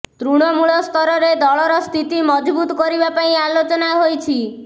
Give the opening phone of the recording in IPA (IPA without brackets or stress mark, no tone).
t̪